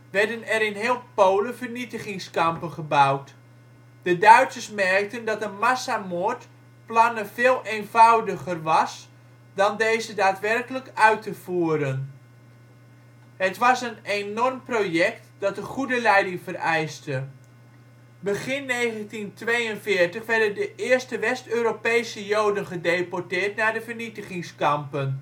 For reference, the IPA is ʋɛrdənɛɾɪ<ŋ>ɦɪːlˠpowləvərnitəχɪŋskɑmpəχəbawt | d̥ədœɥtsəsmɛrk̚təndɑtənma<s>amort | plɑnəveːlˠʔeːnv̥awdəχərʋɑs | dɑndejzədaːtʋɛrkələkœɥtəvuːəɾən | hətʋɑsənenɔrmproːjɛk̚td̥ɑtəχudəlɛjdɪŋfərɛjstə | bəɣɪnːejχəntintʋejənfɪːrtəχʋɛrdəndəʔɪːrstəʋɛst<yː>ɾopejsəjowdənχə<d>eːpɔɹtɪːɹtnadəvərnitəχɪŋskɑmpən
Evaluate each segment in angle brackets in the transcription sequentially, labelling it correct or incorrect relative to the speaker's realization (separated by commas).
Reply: incorrect, correct, incorrect, correct